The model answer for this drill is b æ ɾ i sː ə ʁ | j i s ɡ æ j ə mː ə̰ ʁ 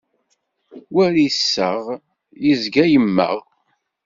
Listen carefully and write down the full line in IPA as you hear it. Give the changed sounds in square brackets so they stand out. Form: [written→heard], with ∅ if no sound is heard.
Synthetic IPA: [b→w] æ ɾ i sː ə ʁ | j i [s→z] ɡ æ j ə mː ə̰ ʁ